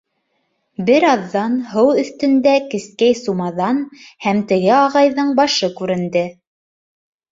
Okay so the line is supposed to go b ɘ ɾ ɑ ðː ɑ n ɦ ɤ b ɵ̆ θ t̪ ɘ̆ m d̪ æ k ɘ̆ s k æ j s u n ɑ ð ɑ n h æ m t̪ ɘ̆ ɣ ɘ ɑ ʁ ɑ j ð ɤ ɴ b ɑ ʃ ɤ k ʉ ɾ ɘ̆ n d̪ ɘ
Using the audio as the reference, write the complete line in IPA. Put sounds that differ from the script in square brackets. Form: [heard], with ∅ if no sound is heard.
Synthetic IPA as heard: b ɘ ɾ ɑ ðː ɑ n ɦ ɤ [w] ɵ̆ θ t̪ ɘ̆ [n] d̪ æ k ɘ̆ s k æ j s u [m] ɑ ð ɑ n h æ m t̪ ɘ̆ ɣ ɘ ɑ ʁ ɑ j ð ɤ ɴ b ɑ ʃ ɤ k ʉ ɾ ɘ̆ n d̪ ɘ